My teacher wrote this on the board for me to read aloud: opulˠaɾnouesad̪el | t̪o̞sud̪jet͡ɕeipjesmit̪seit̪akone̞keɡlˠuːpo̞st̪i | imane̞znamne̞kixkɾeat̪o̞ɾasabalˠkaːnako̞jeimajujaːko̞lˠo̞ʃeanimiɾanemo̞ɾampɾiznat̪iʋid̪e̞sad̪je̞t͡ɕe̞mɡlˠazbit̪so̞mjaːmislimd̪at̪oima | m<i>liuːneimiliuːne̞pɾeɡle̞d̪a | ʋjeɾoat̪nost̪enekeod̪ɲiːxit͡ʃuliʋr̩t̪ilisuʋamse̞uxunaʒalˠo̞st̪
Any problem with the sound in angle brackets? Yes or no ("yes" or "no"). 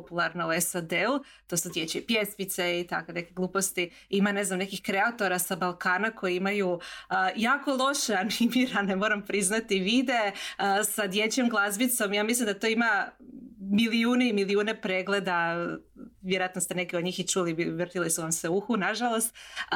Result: no